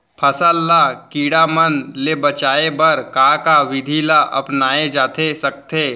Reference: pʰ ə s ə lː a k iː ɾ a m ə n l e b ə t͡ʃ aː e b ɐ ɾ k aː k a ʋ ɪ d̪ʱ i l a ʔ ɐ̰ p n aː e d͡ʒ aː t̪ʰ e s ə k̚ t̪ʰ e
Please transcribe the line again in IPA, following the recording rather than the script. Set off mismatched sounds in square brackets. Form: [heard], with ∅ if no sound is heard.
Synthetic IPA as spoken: pʰ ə s ə lː a k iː [ɽ] a m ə n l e b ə t͡ʃ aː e b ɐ ɾ k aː k a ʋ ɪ d̪ʱ i l a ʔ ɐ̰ p n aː e d͡ʒ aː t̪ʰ e s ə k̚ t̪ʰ e